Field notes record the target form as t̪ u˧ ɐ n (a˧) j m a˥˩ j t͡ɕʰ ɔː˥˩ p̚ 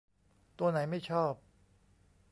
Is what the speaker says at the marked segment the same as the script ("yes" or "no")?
no